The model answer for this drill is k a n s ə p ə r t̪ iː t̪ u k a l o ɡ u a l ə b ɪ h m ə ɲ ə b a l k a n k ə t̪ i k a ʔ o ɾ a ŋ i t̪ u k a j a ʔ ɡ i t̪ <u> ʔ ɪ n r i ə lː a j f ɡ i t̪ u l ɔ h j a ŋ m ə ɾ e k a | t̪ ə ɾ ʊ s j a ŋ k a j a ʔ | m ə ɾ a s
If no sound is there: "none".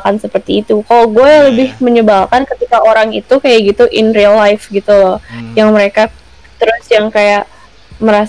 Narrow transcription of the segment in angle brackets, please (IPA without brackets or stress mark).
u